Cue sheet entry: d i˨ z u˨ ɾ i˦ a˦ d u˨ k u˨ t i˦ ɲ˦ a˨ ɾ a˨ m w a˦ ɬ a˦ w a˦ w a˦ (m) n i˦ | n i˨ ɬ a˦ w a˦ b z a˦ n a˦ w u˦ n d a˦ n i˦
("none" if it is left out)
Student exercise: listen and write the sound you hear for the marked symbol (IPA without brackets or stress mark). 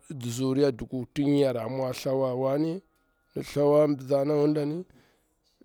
none